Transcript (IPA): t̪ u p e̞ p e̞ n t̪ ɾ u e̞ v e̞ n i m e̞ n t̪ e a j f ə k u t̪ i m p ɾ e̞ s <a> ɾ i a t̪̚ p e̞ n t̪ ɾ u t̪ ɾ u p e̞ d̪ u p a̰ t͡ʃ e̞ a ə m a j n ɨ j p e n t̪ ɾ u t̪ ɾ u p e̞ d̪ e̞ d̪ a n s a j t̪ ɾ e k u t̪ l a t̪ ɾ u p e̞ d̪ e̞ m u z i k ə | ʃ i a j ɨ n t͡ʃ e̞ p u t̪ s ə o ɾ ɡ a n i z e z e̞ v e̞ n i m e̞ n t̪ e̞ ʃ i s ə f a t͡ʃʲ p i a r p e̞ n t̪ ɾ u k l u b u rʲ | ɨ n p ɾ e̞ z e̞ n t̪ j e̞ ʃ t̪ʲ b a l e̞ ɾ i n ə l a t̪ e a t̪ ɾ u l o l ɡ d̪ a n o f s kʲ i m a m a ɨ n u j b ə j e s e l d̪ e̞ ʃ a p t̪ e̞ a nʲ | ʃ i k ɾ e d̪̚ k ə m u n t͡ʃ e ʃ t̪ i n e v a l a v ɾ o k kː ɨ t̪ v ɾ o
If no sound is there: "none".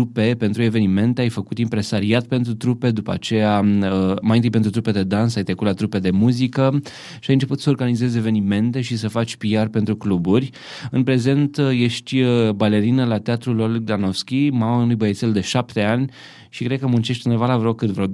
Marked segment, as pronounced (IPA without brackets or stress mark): a